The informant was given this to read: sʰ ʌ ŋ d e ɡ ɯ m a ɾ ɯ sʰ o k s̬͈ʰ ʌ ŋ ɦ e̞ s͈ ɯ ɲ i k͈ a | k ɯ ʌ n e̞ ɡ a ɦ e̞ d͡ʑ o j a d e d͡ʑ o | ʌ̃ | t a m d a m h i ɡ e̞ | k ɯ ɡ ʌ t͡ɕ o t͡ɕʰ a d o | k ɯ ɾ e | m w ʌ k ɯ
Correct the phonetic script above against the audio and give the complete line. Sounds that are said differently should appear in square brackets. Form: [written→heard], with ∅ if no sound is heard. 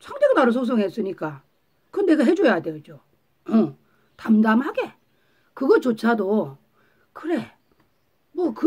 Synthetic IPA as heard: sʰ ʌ ŋ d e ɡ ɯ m a ɾ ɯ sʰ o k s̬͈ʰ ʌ ŋ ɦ e̞ s͈ ɯ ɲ i k͈ a | k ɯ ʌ n e̞ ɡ a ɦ e̞ d͡ʑ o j a d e d͡ʑ o | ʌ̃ | t a m d a m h [i→a] ɡ e̞ | k ɯ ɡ ʌ t͡ɕ o t͡ɕʰ a d o | k ɯ ɾ e | m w ʌ k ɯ